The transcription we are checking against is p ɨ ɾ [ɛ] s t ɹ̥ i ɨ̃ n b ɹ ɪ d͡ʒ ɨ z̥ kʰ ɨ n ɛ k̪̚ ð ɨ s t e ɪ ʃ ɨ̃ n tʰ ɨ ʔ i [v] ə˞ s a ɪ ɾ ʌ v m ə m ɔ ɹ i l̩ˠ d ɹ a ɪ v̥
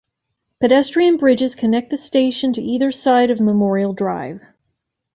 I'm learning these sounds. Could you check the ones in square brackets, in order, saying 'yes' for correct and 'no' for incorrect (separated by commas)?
yes, no